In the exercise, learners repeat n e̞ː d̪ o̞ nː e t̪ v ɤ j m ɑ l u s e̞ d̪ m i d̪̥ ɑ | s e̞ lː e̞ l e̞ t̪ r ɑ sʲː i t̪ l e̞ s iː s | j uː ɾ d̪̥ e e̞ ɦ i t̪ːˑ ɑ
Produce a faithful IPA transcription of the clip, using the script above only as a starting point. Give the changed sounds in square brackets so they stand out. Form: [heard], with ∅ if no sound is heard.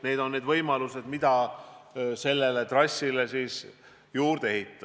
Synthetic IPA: n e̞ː d̪ o̞ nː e [d̪] v ɤ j m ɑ l u s e̞ d̪ m i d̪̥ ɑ | s e̞ lː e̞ l e̞ t̪ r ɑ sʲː i [∅] l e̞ s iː s | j uː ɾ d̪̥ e e̞ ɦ i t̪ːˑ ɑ